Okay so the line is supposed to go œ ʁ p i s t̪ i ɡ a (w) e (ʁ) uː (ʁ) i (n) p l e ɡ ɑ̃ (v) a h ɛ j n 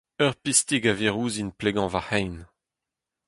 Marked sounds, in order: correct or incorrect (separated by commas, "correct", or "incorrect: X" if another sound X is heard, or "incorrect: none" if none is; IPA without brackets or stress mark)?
incorrect: v, correct, incorrect: z, correct, correct